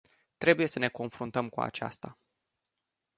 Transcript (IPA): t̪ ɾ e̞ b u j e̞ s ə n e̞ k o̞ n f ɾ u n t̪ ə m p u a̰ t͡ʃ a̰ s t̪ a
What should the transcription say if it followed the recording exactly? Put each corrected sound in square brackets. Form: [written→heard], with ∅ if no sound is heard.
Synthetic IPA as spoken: t̪ ɾ e̞ b u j e̞ s ə n e̞ k o̞ n f ɾ u n t̪ ə m [p→k] u a̰ t͡ʃ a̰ s t̪ a